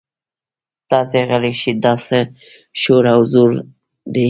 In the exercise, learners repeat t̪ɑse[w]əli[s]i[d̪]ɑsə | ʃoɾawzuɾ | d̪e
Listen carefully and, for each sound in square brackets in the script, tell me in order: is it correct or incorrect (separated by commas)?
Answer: incorrect, incorrect, correct